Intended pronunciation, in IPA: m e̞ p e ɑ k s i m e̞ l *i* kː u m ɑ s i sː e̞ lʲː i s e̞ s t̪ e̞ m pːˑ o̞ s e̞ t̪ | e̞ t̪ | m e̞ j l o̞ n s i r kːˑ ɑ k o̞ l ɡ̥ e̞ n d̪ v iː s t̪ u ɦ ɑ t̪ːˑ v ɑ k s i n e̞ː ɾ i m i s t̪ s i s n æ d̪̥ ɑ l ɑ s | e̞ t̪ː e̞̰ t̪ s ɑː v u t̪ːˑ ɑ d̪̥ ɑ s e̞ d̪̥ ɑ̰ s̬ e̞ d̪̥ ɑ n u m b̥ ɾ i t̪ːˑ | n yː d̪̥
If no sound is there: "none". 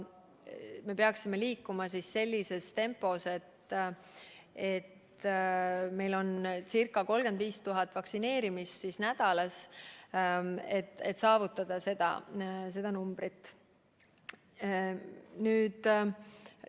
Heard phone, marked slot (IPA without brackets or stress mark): iː